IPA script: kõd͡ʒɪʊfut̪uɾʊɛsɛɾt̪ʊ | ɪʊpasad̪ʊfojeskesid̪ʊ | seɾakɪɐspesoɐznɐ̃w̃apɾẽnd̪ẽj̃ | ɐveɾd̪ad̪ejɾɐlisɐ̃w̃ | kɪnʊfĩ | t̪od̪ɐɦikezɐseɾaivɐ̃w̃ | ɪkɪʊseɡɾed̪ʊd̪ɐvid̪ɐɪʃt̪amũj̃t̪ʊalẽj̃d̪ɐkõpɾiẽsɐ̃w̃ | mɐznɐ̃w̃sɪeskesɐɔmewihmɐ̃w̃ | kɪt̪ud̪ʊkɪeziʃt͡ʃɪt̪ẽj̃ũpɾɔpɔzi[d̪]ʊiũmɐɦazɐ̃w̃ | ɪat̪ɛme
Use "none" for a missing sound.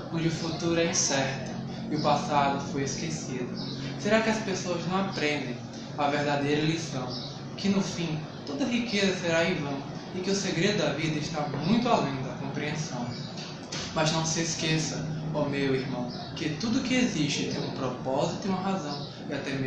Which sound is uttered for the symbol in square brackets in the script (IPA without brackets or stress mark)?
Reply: t̪